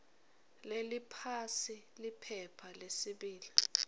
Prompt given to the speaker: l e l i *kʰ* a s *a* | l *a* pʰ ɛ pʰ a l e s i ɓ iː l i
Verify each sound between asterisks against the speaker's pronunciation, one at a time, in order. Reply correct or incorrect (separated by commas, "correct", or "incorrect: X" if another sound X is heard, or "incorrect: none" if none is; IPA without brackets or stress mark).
incorrect: pʰ, incorrect: i, incorrect: i